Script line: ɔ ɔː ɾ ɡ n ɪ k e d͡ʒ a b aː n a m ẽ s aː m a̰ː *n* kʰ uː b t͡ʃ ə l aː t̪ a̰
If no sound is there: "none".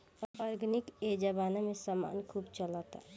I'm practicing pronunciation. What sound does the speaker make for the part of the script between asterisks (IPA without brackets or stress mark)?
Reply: n